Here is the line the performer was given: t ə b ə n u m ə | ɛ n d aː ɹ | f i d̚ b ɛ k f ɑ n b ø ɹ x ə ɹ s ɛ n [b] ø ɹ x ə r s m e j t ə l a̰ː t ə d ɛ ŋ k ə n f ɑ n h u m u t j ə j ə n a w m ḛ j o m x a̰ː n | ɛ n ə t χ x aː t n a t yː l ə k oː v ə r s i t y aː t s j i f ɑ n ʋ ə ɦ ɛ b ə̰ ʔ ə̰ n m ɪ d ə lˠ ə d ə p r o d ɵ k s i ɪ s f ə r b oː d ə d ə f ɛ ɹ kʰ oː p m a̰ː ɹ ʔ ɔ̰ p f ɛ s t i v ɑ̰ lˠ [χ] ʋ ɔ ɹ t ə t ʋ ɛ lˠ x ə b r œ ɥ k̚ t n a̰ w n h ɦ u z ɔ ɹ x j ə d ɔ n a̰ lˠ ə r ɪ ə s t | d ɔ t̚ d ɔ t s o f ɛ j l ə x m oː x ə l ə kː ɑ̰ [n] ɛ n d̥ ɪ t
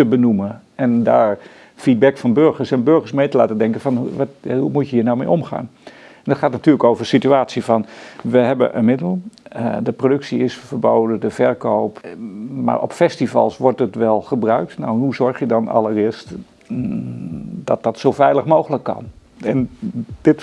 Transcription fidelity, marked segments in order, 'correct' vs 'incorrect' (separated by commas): correct, incorrect, correct